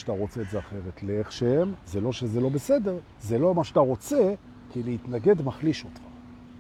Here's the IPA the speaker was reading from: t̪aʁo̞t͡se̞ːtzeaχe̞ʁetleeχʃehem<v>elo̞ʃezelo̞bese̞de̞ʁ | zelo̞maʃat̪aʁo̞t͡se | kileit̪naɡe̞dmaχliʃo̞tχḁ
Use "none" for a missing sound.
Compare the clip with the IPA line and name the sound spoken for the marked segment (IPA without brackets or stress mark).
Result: z